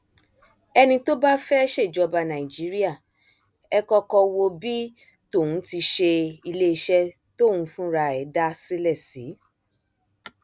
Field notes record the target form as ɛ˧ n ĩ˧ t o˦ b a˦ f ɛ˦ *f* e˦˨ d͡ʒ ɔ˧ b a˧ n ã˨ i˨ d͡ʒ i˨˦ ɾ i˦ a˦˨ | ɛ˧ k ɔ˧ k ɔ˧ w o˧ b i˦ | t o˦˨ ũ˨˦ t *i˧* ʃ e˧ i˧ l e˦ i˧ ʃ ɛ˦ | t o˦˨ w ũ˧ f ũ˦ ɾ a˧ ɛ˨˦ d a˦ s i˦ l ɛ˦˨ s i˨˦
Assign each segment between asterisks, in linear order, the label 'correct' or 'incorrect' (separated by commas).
incorrect, correct